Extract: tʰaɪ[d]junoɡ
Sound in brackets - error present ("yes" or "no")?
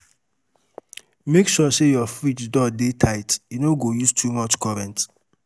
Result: yes